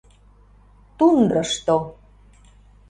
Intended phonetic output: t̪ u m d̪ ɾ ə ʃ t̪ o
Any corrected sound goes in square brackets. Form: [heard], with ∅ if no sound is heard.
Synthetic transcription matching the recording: t̪ u [n] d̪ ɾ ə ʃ t̪ o